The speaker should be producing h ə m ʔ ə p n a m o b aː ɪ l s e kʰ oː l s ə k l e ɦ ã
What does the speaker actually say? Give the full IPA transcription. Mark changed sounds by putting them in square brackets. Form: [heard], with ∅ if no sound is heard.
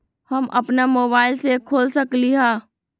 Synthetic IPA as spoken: h ə m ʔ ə p n a m o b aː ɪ l s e kʰ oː l s ə k l [i] ɦ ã